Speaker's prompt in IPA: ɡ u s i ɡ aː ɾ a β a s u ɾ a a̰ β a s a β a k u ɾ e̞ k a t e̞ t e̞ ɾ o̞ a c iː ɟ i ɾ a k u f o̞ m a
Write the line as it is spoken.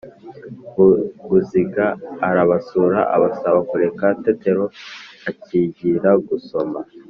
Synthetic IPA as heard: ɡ u z i ɡ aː ɾ a β a s u ɾ a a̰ β a s a β a k u ɾ e̞ k a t e̞ t e̞ ɾ o̞ a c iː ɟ i ɾ a ɡ u s o̞ m a